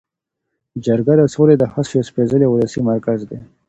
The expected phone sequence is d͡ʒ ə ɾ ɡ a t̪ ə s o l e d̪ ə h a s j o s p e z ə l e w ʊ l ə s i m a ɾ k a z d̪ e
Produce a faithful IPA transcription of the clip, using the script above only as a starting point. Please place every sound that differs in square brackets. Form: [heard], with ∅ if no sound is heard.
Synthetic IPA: d͡ʒ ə ɾ ɡ a [d̪] ə s o l e d̪ ə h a s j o s p e z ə l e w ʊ l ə s i m a ɾ k a z d̪ e